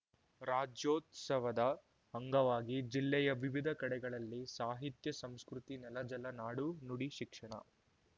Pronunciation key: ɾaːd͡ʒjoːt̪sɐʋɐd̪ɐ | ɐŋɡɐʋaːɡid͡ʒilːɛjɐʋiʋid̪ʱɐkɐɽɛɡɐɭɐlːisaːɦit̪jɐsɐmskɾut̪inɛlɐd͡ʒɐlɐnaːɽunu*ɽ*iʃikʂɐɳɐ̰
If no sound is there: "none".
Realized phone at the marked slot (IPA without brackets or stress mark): ɽ